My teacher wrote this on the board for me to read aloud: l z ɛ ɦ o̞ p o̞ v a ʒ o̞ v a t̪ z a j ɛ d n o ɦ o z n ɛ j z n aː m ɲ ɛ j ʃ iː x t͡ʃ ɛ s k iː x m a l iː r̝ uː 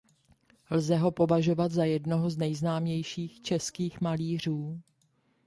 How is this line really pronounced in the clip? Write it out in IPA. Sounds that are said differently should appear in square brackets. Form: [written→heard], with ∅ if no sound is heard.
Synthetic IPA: l z ɛ ɦ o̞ p o̞ v a ʒ o̞ v a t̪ z a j ɛ d n o ɦ o z n ɛ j z n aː m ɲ ɛ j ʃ iː x t͡ʃ ɛ s k iː x m a l iː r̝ uː